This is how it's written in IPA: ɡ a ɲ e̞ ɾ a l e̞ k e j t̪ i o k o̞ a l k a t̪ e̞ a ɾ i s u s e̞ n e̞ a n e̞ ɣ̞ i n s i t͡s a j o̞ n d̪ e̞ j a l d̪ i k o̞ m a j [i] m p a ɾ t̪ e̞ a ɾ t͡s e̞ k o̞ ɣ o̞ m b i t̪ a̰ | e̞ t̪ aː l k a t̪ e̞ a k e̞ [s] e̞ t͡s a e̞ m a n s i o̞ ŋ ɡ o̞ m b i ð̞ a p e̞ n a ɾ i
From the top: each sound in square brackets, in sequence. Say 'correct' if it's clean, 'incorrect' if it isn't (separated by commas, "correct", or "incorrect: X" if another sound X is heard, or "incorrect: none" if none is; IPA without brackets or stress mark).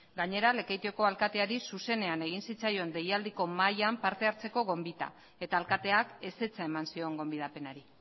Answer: incorrect: a, correct